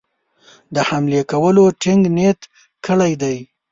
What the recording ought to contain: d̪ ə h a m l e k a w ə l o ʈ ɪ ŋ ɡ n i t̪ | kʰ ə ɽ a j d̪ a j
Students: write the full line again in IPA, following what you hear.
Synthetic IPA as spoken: d̪ ə h a m l e k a w ə l o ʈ ɪ ŋ ɡ n e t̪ | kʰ ə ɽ a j d̪ a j